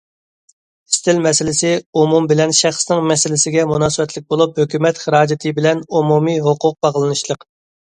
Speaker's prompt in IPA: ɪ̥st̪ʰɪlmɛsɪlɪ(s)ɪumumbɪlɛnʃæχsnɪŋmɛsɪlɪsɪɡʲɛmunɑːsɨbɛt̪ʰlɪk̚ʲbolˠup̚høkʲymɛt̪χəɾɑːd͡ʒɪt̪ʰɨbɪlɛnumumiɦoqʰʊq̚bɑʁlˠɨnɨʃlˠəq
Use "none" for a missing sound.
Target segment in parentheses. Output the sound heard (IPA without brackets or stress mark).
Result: s